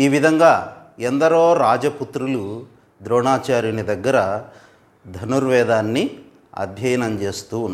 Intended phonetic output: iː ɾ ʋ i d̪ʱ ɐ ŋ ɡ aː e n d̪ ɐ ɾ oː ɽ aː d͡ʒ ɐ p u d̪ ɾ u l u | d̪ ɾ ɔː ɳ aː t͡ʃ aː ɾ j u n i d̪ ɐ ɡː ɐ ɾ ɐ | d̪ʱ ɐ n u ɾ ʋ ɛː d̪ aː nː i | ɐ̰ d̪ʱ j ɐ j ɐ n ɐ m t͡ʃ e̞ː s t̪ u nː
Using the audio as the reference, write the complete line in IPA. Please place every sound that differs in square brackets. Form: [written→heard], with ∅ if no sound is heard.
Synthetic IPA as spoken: iː [ɾ→∅] ʋ i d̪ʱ ɐ ŋ ɡ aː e n d̪ ɐ ɾ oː [ɽ→ɾ] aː d͡ʒ ɐ p u [d̪→t̪] ɾ u l u | d̪ ɾ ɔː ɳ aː t͡ʃ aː ɾ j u n i d̪ ɐ ɡː ɐ ɾ ɐ | d̪ʱ ɐ n u ɾ ʋ ɛː d̪ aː nː i | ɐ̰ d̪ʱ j ɐ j ɐ n ɐ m t͡ʃ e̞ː s t̪ u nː